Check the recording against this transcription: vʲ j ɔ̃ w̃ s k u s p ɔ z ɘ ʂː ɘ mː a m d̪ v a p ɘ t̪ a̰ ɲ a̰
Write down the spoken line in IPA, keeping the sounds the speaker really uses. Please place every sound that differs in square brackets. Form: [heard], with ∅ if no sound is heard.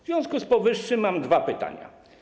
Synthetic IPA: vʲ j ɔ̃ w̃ s k u s p ɔ [v] ɘ ʂː ɘ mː a m d̪ v a p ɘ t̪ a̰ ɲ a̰